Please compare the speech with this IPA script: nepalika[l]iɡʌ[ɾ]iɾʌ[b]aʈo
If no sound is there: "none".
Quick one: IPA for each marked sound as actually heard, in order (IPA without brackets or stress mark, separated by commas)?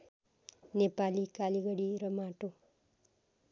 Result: l, ɽ, m